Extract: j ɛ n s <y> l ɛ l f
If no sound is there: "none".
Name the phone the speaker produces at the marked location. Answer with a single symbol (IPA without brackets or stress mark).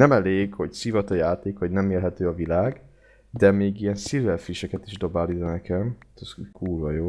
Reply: i